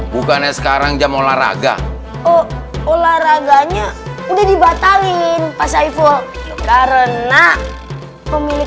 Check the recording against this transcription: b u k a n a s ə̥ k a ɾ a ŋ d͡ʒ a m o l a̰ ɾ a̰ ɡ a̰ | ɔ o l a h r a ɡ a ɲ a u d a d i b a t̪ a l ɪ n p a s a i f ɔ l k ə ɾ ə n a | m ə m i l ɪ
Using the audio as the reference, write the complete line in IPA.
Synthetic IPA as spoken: b u k a n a s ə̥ k a ɾ a ŋ d͡ʒ a m o l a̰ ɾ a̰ ɡ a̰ | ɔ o l a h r a ɡ a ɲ a u d a d i b a t̪ a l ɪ n p a s a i f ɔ l k a ɾ ə n a | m ə m i l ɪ